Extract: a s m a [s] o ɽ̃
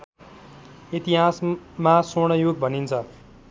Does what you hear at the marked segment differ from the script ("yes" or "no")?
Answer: no